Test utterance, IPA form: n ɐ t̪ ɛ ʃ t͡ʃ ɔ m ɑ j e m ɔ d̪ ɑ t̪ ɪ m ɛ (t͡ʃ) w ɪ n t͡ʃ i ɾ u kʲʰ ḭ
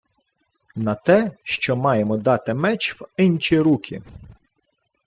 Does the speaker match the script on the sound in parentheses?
yes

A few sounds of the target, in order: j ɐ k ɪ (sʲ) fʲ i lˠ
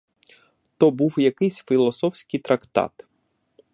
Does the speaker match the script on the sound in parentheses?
yes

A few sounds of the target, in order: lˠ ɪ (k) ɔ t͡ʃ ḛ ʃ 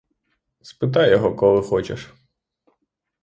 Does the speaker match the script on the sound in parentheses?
no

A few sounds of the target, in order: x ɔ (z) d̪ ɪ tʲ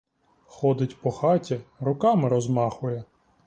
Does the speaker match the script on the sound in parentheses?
no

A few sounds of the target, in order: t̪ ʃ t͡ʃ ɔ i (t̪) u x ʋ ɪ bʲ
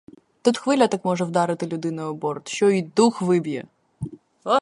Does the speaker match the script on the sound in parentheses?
no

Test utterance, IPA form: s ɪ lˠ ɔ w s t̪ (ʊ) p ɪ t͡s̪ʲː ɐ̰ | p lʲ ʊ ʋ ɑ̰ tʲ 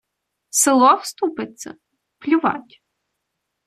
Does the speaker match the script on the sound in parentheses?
no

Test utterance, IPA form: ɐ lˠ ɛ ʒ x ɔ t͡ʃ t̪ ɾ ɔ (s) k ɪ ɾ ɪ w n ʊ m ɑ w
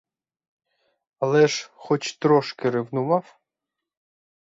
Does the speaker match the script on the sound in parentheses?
no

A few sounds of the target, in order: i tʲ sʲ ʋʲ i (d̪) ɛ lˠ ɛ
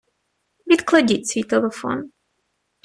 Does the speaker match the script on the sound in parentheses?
no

